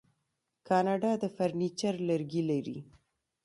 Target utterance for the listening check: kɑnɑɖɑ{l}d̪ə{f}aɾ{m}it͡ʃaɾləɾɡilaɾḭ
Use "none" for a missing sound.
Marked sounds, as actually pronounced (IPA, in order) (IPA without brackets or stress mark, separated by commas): none, f, n